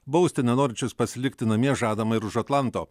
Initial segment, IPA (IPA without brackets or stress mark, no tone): b